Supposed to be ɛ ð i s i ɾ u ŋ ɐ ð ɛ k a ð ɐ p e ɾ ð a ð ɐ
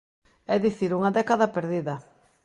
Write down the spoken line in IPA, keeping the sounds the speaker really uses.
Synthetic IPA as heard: ɛ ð i θ i ɾ u ŋ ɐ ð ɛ k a ð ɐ p e ɾ ð i ð ɐ